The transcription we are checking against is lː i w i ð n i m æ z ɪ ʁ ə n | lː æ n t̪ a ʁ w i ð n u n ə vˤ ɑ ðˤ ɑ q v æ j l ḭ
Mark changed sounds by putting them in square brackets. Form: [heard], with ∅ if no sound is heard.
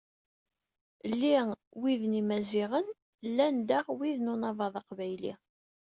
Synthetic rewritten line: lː i w i ð n i m æ z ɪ ʁ ə n | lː æ n [d̪] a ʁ w i ð n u n [ɑ] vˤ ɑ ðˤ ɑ q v æ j l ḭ